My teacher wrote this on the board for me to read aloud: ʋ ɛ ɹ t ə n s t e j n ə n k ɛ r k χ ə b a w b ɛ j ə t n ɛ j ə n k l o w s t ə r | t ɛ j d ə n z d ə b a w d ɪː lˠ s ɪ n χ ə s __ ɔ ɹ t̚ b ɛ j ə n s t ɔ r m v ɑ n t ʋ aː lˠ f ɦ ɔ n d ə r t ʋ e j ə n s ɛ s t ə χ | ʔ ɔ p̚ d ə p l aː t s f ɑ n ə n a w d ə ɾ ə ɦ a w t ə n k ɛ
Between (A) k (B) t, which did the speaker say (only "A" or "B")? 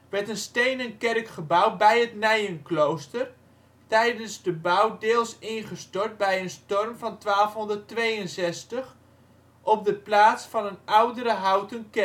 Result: B